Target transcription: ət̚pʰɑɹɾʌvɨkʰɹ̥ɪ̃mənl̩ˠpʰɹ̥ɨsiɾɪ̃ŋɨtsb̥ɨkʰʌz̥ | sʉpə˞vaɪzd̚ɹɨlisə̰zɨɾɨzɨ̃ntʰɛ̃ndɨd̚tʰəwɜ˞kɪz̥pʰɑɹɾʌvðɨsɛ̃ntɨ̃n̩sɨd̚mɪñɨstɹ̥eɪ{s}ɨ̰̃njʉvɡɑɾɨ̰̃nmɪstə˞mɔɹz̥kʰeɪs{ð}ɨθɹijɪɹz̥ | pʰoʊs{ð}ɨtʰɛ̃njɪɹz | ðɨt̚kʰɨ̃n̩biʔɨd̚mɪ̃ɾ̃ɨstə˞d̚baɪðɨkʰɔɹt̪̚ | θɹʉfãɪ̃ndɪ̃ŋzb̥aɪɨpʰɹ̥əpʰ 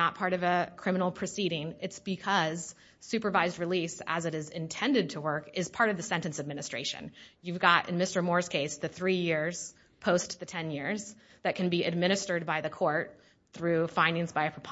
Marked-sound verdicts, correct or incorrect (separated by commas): incorrect, correct, correct